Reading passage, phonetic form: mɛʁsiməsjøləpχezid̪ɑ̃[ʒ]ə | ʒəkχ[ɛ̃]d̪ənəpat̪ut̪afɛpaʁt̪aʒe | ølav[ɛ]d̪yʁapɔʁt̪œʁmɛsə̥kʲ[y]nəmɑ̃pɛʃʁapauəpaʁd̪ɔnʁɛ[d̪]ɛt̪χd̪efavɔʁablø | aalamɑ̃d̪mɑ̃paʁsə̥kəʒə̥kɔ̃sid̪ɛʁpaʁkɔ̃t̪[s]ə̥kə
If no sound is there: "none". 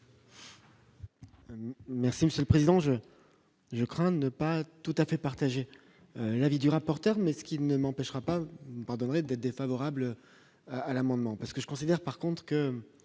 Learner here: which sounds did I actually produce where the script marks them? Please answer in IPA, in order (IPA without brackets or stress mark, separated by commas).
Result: ʒ, ɛ̃, i, i, d̪, χ